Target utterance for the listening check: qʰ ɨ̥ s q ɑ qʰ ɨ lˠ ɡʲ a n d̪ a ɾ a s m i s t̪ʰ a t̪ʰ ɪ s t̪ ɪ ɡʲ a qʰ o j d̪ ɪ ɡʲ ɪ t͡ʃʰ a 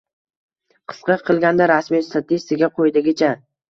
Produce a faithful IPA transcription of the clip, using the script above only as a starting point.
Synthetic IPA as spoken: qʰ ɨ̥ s q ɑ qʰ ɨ lˠ ɡʲ a n d̪ a ɾ a s m i s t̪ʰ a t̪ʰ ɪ s t̪ ɪ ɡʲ a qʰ o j d̪ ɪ ɡʲ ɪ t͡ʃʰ a